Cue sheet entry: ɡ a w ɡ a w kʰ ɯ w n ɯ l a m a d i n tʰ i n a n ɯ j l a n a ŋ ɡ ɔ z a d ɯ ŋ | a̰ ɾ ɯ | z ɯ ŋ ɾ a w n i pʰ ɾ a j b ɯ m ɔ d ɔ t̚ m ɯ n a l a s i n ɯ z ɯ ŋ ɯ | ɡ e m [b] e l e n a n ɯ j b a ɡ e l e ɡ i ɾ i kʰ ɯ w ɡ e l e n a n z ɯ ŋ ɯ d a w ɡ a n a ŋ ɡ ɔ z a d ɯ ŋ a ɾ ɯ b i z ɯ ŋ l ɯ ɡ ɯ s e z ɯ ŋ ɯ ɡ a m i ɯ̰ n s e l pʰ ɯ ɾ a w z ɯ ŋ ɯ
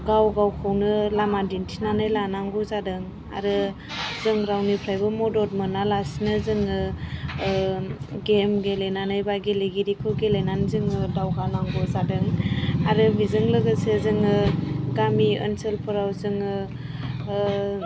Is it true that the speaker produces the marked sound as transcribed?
no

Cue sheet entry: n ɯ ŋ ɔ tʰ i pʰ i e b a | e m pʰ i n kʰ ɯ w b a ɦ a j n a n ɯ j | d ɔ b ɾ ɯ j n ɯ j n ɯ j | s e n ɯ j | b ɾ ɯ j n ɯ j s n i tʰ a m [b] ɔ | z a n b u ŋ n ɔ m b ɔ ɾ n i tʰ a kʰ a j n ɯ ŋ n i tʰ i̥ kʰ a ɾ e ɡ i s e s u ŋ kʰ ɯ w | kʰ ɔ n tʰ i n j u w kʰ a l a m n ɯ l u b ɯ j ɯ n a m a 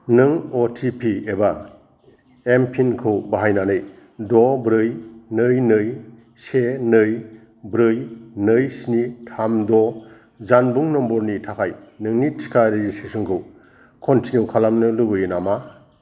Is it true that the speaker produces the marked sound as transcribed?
no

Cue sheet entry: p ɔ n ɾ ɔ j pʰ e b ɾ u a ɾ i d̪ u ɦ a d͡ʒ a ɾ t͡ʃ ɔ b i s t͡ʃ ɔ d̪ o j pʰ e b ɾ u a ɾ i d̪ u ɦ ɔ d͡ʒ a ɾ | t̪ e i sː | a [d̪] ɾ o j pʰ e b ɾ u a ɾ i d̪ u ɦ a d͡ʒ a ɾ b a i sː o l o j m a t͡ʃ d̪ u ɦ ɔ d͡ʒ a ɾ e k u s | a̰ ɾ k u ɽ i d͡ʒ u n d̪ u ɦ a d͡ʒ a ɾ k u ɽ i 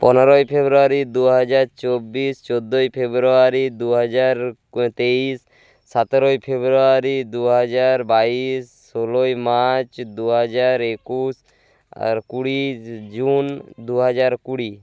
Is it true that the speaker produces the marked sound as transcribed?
no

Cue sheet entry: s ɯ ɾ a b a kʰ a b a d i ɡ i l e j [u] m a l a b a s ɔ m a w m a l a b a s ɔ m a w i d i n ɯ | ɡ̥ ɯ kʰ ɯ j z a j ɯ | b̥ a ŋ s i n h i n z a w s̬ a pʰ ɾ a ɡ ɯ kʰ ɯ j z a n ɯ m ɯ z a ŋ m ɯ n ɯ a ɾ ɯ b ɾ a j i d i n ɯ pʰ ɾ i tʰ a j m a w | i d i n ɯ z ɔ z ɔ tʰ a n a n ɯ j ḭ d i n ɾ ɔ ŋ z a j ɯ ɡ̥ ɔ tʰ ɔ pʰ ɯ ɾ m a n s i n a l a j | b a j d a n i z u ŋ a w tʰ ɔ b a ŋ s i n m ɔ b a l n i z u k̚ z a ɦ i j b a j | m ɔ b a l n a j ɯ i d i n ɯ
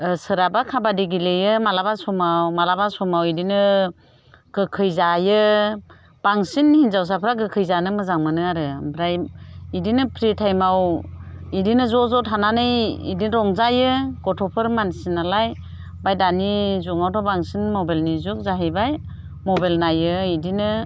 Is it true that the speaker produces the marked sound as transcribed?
no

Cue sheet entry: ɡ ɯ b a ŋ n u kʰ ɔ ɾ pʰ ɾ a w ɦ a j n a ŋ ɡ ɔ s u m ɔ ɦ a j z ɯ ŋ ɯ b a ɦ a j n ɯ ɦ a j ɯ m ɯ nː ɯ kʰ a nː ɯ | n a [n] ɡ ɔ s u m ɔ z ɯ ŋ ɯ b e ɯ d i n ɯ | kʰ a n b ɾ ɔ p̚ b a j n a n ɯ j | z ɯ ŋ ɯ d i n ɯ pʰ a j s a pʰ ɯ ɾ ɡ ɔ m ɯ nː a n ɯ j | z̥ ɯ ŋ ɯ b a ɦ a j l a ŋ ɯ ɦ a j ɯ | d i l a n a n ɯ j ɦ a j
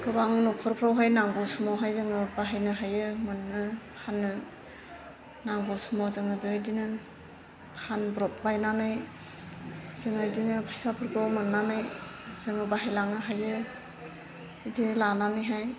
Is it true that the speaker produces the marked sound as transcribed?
no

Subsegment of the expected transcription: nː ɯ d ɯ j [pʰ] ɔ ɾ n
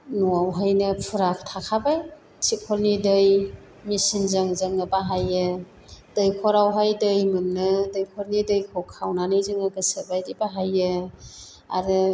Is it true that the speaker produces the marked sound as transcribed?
no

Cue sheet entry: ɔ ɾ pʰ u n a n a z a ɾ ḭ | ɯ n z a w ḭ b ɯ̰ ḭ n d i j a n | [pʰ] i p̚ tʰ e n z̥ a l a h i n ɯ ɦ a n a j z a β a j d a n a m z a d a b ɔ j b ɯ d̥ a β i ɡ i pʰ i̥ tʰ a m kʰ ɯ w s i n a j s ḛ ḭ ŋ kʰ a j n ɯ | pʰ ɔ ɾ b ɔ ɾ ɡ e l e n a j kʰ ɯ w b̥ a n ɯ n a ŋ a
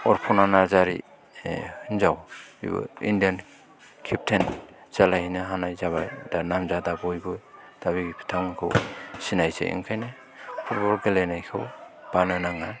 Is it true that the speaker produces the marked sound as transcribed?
no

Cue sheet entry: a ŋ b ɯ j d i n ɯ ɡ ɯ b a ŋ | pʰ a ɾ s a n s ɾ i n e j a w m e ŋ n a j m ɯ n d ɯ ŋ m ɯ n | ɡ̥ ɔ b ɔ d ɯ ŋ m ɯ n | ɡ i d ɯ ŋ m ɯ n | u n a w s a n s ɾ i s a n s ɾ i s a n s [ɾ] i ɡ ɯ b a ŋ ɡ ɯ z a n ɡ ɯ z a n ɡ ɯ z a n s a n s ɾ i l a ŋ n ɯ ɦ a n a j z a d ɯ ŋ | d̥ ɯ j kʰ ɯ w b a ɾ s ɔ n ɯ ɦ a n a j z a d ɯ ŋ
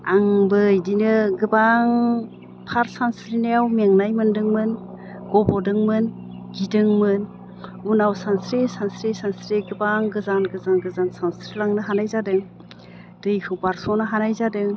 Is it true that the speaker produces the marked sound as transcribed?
yes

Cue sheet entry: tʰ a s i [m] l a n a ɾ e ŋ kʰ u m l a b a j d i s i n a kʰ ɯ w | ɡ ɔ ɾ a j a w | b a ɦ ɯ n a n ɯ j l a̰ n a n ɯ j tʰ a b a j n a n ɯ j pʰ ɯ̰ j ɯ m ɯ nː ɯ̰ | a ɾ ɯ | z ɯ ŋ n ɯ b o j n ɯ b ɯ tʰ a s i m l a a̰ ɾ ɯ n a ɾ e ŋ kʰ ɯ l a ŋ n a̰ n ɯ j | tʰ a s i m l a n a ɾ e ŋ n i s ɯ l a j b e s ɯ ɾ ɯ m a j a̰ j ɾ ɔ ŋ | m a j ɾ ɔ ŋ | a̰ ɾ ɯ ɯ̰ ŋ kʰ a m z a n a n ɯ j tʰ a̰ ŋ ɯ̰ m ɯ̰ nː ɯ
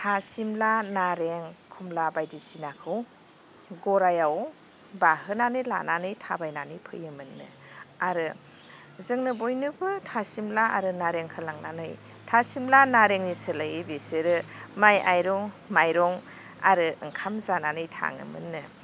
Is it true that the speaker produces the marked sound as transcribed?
yes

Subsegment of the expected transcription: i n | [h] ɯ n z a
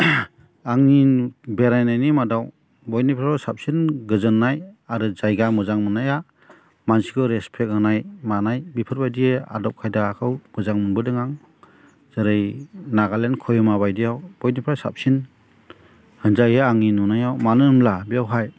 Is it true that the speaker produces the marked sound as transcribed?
yes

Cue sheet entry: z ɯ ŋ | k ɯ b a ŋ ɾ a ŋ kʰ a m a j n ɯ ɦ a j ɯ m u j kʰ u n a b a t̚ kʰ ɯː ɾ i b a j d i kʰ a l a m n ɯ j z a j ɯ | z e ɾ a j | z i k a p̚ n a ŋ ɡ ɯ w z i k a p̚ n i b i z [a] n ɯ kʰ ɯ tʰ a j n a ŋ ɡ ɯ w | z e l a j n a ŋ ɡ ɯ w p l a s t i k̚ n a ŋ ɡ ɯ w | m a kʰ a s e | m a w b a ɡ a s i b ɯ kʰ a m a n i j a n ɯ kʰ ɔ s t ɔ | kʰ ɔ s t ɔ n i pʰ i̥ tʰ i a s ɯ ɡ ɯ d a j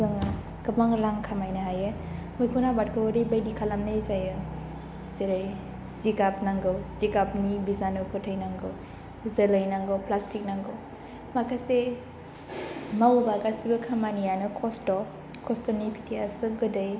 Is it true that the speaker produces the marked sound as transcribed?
yes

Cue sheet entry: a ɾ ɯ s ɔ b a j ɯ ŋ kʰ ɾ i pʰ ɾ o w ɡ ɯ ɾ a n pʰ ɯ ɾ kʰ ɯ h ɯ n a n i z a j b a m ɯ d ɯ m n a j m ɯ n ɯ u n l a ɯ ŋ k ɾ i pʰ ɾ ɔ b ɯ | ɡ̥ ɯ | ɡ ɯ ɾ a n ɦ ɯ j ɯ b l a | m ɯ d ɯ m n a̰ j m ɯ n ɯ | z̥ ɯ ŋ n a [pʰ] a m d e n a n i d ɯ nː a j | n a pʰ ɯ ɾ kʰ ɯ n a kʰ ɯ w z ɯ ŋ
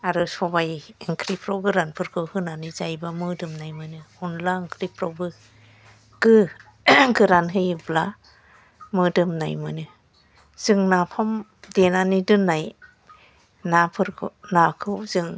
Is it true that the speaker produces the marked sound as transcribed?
yes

